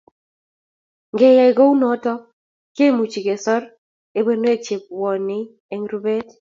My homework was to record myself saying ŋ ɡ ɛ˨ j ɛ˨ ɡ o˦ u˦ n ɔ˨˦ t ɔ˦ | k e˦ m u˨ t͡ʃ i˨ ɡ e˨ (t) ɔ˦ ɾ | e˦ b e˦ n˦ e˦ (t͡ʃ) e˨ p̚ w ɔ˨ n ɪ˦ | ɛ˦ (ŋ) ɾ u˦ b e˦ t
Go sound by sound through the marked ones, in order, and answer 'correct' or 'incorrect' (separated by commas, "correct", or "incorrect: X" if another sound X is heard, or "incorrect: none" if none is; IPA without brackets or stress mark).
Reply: incorrect: s, correct, correct